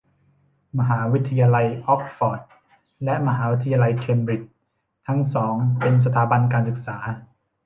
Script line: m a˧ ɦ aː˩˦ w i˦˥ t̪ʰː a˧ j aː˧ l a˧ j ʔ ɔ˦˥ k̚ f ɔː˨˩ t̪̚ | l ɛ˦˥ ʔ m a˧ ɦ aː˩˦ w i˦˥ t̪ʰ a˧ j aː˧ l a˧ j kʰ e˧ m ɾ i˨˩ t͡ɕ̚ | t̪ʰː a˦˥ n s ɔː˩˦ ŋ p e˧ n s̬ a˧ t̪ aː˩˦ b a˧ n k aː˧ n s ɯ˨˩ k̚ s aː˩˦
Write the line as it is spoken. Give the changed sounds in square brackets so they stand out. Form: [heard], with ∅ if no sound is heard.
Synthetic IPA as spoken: m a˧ ɦ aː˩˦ w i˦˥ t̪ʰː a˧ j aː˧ l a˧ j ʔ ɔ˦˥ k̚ f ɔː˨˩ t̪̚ | l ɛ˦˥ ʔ m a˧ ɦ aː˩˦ w i˦˥ t̪ʰ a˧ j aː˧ l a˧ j kʰ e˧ m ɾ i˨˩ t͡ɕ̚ | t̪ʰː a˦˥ [ŋ] s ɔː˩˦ ŋ p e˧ n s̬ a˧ [t̪ʰ] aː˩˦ b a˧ n k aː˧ n s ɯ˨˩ k̚ s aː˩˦